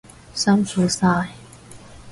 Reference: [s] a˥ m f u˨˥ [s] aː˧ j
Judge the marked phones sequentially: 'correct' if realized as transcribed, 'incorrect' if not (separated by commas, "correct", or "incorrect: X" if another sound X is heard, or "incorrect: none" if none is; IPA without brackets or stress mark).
correct, correct